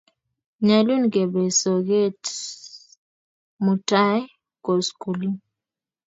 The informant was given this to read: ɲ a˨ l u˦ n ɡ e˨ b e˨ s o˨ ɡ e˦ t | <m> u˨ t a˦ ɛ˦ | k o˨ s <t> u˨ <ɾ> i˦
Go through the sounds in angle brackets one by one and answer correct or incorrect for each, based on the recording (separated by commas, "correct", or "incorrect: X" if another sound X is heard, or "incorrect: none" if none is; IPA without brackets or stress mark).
correct, incorrect: k, incorrect: l